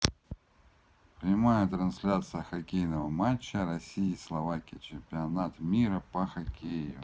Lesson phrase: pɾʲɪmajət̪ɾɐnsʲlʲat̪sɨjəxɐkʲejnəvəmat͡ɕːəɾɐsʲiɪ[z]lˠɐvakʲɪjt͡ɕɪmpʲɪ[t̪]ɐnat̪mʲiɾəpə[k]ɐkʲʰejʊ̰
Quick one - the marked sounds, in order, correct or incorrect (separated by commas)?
incorrect, incorrect, incorrect